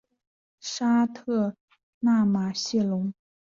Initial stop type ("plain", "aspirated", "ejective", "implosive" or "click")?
aspirated